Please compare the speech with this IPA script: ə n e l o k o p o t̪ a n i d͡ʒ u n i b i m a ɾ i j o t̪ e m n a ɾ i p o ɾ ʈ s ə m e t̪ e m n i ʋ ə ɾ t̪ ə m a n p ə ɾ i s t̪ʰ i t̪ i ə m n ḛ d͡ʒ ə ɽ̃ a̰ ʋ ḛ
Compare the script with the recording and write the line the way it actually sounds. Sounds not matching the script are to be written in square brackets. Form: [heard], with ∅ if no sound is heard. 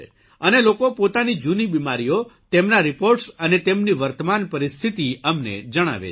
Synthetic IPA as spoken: ə n e l o k o p o t̪ a n i d͡ʒ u n i b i m a ɾ i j o t̪ e m n a ɾ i p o ɾ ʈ s ə [n] e t̪ e m n i ʋ ə ɾ t̪ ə m a n p ə ɾ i s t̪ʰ i t̪ i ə m n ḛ d͡ʒ ə ɽ̃ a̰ ʋ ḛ